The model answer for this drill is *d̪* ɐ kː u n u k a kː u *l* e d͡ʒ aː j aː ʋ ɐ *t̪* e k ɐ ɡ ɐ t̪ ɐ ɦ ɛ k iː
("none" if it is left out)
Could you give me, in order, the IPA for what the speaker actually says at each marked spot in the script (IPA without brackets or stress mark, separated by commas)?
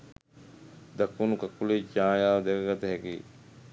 d̪, l, d̪